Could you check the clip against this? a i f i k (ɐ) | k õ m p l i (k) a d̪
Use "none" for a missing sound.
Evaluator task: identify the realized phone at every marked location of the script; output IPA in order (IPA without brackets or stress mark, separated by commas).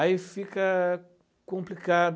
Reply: ɐ, k